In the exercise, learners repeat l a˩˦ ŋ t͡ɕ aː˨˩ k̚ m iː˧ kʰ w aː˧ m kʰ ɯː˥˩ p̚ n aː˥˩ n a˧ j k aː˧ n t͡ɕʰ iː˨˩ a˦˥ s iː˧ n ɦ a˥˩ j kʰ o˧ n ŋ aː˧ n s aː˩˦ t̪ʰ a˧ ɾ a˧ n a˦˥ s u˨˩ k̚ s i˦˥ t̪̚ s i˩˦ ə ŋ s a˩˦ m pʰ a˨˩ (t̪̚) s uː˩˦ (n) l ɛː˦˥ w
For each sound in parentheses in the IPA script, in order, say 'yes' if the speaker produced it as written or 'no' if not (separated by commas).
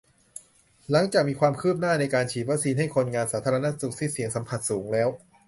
yes, no